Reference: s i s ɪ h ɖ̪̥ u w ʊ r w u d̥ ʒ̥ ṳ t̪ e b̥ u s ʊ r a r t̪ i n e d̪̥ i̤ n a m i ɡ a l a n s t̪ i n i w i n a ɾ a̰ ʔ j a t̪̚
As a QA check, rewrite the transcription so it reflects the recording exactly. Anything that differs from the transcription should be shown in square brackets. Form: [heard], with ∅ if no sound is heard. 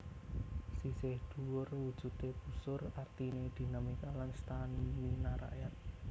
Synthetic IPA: s i s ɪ h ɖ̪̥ u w ʊ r w u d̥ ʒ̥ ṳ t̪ e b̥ u s ʊ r a r t̪ i n e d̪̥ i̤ n a m i [k] a l a n s t̪ [a] n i w i n a ɾ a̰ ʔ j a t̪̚